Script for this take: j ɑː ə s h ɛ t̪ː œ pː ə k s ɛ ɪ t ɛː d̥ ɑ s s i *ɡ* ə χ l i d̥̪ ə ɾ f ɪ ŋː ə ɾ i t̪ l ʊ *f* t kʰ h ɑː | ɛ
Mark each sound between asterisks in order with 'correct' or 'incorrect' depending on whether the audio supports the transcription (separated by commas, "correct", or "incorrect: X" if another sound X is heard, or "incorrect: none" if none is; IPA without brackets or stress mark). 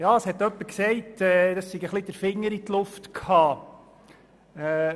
correct, correct